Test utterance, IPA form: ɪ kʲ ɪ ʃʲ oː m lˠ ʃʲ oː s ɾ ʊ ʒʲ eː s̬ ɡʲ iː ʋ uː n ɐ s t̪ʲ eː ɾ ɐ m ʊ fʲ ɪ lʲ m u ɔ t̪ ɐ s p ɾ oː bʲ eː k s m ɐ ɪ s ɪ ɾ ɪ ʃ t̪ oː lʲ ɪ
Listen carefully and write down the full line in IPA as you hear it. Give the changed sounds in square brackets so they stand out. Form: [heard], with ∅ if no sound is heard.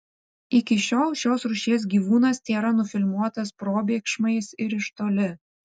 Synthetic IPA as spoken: ɪ kʲ ɪ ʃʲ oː [∅] lˠ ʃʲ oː s ɾ ʊ [ʃʲ] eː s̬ ɡʲ iː ʋ uː n ɐ s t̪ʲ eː ɾ ɐ [n] ʊ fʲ ɪ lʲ m u ɔ t̪ ɐ s p ɾ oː bʲ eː k [ʃ] m ɐ ɪ s ɪ ɾ ɪ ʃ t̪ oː lʲ ɪ